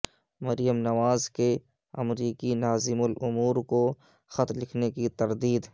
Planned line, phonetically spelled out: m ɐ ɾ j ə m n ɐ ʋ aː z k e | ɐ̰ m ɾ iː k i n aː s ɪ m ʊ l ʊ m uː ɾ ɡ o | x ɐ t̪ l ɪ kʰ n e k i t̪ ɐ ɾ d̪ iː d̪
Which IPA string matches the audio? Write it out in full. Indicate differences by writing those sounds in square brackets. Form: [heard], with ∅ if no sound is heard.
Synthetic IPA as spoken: m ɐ ɾ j ə m n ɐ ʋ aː z k e | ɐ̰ m ɾ iː k i n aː [z] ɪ m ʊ l ʊ m uː ɾ [k] o | x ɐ t̪ l ɪ kʰ n e k i t̪ ɐ ɾ d̪ iː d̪